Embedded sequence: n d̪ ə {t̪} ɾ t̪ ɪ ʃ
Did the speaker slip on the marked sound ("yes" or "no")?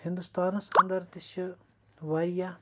yes